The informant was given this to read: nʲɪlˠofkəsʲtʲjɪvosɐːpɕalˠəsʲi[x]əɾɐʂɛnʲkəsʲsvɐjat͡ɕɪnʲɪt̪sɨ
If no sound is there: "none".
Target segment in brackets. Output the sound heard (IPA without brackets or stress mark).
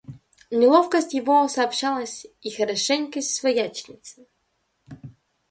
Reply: x